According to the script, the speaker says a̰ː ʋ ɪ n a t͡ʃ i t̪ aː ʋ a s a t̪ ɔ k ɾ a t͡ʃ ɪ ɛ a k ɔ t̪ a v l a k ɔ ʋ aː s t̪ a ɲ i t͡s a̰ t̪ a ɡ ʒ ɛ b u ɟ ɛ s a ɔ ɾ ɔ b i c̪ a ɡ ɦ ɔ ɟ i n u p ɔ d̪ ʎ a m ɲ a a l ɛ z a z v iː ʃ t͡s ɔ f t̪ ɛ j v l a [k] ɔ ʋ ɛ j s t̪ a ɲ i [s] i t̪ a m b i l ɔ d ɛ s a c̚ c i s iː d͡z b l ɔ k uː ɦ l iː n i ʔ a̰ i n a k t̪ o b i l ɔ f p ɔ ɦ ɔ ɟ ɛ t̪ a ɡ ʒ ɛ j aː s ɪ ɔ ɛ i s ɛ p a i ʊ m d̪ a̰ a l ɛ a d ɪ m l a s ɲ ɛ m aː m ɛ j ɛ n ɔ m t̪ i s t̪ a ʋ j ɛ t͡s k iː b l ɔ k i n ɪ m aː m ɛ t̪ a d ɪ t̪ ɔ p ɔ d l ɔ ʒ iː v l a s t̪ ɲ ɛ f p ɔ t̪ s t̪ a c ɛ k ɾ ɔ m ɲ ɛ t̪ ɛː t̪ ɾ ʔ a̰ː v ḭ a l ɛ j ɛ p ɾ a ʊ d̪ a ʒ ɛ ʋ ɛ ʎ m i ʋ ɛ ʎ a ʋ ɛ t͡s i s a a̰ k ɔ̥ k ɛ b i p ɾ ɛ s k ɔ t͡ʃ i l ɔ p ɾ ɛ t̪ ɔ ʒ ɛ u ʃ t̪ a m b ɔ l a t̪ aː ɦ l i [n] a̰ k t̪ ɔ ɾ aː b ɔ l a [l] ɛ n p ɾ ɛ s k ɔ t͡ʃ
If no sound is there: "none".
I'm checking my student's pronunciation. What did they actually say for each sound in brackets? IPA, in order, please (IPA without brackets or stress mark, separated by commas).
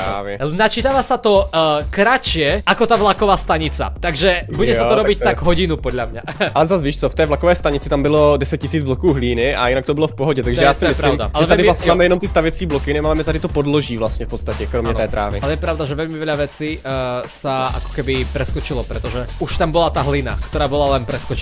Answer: k, t͡s, n, l